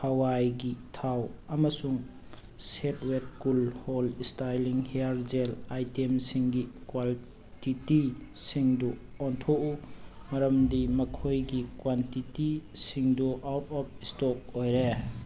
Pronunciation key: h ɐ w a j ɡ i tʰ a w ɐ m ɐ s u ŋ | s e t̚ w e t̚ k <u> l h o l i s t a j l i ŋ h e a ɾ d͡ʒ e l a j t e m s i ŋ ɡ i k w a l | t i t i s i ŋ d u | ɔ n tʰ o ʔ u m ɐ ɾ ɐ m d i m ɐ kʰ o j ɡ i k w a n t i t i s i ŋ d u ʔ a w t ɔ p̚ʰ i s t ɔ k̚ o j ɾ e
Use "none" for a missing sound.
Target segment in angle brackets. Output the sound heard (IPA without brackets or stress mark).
u